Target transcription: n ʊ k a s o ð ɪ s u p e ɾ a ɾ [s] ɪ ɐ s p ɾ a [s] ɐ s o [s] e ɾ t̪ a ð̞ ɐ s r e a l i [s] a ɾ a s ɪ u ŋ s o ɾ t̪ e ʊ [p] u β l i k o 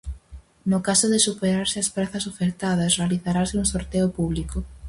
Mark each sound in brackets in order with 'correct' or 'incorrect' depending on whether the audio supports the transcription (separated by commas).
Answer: correct, incorrect, incorrect, incorrect, correct